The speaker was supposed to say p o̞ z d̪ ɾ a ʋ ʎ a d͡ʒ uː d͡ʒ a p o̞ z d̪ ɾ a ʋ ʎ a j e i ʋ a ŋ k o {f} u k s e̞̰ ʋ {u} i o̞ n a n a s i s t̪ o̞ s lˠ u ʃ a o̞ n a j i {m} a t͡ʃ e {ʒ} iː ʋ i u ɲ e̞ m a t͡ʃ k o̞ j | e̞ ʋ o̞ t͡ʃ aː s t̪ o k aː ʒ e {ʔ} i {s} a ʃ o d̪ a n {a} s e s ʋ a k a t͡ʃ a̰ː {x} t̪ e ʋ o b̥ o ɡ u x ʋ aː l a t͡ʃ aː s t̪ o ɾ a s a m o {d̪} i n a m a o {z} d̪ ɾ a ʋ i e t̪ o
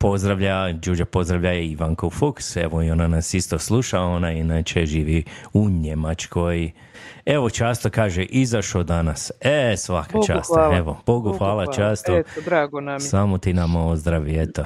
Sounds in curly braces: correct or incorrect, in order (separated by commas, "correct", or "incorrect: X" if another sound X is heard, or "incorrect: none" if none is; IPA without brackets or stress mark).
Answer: correct, incorrect: o, incorrect: n, correct, correct, incorrect: z, correct, incorrect: s, incorrect: t̪, correct